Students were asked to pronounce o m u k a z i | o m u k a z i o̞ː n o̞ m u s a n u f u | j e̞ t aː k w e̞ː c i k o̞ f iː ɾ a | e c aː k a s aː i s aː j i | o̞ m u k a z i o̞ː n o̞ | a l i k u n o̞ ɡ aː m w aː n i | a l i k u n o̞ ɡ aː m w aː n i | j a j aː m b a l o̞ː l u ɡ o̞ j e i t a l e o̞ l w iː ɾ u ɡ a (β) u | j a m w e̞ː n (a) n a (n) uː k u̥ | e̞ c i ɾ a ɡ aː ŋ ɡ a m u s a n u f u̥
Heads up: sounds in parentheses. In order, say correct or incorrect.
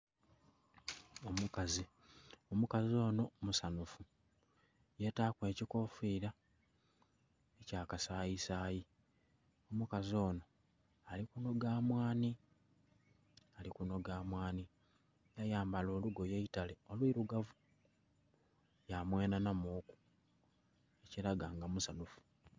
incorrect: v, correct, incorrect: m

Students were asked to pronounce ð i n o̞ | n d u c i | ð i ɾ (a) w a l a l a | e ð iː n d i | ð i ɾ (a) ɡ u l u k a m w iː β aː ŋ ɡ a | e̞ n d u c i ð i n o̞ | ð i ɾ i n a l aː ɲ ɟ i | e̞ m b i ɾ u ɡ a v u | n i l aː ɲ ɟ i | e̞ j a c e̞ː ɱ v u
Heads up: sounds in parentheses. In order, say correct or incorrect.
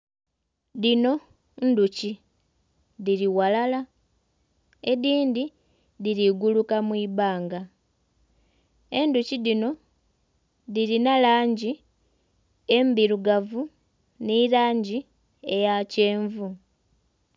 incorrect: i, incorrect: i

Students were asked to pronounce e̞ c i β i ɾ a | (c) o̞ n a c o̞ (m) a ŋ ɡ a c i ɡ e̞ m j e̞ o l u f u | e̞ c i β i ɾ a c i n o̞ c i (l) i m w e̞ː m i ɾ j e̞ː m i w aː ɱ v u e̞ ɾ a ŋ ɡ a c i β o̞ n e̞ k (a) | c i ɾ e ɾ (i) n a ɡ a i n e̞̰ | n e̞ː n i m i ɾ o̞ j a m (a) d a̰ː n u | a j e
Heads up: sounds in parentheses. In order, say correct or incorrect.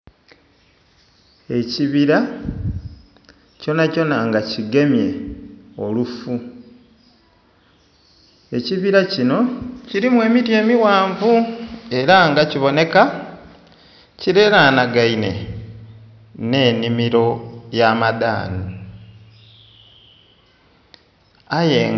correct, incorrect: n, incorrect: ɾ, correct, incorrect: a, correct

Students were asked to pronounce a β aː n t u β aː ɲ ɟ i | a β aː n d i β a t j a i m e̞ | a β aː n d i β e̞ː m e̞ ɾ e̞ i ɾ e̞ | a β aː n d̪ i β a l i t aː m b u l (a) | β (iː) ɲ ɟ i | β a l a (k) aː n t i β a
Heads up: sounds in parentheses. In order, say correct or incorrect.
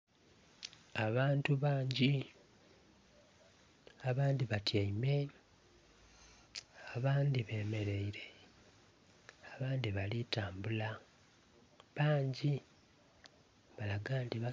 correct, incorrect: aː, incorrect: ɡ

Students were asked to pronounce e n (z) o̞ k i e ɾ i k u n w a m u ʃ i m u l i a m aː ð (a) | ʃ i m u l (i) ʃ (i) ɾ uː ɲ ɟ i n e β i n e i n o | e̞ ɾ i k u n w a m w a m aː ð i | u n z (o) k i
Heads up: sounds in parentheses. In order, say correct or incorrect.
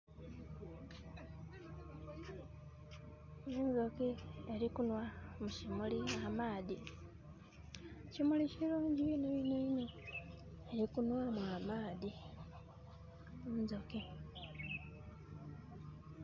correct, incorrect: i, correct, correct, correct

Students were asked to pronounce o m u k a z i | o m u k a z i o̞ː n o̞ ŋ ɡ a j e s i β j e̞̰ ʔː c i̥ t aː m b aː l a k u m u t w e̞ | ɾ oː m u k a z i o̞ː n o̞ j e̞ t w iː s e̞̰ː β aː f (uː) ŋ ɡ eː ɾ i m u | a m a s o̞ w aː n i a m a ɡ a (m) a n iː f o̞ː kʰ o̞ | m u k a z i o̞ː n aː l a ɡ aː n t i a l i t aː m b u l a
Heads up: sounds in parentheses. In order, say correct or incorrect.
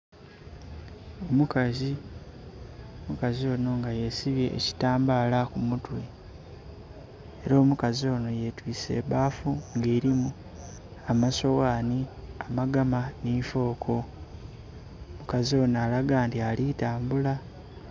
incorrect: u, correct

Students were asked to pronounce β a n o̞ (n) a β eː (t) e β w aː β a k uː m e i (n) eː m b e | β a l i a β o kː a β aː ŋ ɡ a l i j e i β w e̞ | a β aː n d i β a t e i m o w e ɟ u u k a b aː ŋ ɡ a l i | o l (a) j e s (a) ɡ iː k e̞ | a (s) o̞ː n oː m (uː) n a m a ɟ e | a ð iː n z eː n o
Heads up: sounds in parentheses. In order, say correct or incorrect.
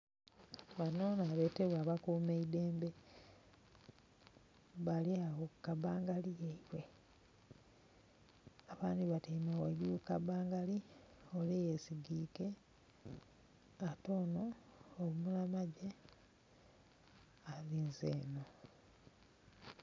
correct, correct, incorrect: d, incorrect: e, incorrect: i, incorrect: t, incorrect: u

